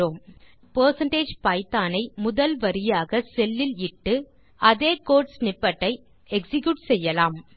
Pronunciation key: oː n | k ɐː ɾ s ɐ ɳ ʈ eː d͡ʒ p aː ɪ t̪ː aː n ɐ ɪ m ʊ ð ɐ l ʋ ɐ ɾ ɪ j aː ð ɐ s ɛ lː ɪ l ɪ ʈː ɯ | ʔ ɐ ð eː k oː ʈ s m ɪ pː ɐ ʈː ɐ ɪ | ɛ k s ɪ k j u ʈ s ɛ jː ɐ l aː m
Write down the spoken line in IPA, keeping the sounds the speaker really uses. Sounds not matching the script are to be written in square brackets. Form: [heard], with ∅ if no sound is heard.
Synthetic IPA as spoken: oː [m] | [p] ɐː ɾ s ɐ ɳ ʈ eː d͡ʒ p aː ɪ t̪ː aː n ɐ ɪ m ʊ ð ɐ l ʋ ɐ ɾ ɪ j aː [ɣ] ɐ s ɛ lː ɪ l ɪ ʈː ɯ | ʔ ɐ ð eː k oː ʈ s [n] ɪ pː ɐ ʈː ɐ ɪ | ɛ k s ɪ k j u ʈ s ɛ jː ɐ l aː m